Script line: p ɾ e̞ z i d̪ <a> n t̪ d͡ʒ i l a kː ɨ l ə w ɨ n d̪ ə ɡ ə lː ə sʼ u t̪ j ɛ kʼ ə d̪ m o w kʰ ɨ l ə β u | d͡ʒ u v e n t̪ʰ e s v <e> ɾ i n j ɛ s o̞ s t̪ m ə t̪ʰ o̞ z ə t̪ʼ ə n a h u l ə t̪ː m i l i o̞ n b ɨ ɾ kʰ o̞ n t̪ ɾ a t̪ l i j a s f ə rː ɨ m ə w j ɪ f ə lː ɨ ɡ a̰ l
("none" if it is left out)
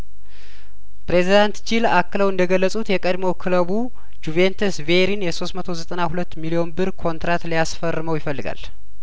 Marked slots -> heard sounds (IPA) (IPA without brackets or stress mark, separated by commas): a, e